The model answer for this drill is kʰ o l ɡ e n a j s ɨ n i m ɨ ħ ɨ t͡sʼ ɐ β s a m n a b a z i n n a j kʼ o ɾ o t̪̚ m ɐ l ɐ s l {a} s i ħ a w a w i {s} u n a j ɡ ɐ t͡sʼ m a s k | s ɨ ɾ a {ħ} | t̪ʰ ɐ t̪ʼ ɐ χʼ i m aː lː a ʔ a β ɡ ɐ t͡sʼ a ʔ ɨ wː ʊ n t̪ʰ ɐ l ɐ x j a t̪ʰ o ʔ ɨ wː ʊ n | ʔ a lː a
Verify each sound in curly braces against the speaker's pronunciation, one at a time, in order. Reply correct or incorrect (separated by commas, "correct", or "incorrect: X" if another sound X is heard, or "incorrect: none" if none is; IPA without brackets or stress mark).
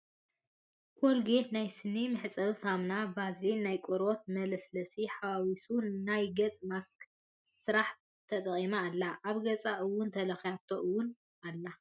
incorrect: ɐ, correct, correct